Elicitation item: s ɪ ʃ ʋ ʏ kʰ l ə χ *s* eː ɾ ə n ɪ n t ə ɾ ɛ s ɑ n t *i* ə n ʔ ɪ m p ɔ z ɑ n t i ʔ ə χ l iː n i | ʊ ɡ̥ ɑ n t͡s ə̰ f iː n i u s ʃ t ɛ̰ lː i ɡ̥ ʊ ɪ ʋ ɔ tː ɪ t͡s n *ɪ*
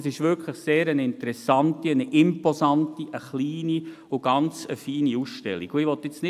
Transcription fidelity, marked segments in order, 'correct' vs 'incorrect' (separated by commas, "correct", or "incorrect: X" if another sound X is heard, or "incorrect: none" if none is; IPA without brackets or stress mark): correct, correct, correct